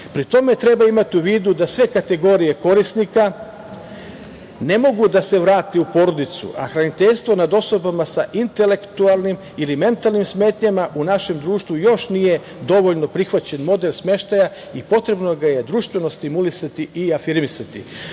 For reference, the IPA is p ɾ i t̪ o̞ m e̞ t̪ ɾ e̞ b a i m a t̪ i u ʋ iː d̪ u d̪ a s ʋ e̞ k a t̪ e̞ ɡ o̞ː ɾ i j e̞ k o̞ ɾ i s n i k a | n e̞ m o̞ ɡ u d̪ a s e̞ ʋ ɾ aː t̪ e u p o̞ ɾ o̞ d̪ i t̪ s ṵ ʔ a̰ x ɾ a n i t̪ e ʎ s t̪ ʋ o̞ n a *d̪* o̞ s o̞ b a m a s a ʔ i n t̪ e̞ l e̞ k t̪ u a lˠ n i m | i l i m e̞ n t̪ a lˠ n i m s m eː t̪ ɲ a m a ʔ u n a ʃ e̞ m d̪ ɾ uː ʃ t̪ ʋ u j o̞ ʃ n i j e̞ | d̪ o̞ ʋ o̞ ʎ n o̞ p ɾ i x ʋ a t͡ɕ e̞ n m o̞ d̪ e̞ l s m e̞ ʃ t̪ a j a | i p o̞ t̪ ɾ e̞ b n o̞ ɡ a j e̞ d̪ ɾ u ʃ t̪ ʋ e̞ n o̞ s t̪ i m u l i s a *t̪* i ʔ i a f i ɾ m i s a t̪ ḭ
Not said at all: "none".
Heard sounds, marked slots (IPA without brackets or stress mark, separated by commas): d̪, t̪